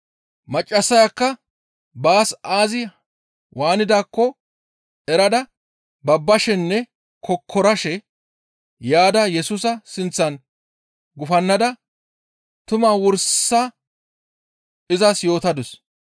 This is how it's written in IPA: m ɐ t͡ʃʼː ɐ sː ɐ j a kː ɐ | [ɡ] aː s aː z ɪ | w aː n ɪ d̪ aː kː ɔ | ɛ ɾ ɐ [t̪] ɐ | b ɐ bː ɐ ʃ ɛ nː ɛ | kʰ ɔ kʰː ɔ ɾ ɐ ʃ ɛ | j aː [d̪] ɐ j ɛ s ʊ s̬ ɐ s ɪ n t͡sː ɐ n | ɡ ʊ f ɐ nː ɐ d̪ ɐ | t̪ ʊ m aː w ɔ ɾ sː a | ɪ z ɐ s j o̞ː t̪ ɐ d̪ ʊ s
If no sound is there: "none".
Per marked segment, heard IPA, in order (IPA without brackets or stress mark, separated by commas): b, d̪, d̪